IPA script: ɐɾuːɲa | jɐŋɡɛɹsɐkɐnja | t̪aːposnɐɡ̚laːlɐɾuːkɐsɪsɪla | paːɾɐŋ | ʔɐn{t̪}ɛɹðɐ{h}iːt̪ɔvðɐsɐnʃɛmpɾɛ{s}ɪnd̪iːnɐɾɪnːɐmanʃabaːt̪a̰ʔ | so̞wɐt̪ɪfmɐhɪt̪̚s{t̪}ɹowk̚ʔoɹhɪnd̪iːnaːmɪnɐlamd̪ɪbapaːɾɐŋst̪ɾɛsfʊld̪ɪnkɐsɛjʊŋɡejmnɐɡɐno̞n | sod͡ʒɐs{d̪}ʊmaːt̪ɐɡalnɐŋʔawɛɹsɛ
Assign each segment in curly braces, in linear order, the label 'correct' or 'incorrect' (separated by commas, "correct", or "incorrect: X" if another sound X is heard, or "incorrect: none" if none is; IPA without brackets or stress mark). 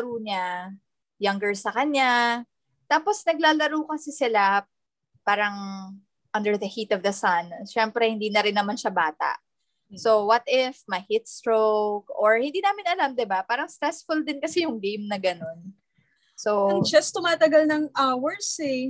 incorrect: d̪, correct, incorrect: h, correct, incorrect: t̪